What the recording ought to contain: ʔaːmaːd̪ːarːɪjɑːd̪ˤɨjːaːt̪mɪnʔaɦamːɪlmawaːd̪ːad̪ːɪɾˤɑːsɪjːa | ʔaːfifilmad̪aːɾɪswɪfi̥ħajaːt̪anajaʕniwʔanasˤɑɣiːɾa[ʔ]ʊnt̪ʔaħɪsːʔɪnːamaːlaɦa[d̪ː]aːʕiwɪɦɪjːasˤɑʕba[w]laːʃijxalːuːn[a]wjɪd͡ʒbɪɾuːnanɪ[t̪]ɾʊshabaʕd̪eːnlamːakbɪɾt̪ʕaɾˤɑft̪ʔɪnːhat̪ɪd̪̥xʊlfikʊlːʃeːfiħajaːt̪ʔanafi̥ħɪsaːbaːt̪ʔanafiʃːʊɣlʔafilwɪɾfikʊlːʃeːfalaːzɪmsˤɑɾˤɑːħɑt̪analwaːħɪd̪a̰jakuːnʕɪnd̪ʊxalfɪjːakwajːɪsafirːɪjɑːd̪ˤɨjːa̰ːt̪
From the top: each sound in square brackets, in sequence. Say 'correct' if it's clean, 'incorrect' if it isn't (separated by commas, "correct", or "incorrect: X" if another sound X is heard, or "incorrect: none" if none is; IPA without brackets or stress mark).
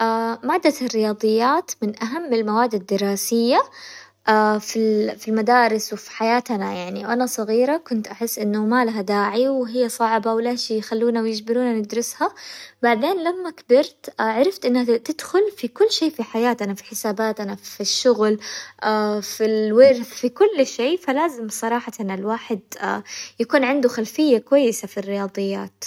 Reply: incorrect: k, incorrect: d̪, correct, correct, incorrect: d̪